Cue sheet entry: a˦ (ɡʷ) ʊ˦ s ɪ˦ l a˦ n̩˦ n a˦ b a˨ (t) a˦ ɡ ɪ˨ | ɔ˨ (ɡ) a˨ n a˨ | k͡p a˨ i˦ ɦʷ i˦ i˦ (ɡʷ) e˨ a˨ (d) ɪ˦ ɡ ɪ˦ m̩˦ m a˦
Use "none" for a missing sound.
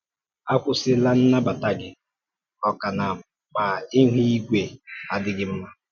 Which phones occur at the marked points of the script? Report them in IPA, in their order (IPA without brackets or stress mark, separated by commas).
kʷ, t, k, ɡʷ, d